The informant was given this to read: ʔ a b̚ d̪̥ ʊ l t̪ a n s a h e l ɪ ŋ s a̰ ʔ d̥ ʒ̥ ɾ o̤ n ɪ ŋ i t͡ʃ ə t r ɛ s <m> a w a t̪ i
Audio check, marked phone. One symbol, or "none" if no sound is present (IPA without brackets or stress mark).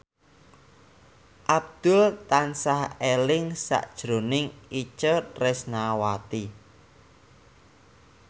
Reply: n